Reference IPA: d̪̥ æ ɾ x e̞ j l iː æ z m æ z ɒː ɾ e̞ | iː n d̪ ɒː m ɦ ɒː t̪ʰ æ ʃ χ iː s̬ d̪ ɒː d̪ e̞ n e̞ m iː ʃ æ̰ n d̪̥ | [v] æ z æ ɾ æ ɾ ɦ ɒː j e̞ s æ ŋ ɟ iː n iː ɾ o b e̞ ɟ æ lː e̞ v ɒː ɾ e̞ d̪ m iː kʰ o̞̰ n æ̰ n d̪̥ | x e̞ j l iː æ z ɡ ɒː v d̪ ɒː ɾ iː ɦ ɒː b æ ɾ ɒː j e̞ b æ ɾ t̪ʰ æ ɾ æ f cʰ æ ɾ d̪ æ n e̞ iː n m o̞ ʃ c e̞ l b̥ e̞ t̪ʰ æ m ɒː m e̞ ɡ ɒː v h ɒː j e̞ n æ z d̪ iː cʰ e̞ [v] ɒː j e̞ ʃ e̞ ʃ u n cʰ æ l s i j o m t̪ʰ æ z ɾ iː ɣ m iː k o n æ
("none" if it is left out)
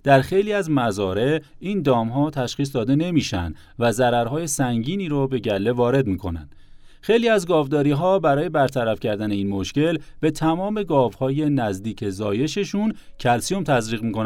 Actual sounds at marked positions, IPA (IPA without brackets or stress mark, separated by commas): v, z